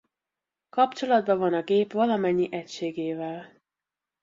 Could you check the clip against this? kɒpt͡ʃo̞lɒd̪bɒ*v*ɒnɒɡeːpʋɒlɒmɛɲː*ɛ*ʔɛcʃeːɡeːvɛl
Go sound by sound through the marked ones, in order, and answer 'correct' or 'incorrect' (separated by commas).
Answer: correct, incorrect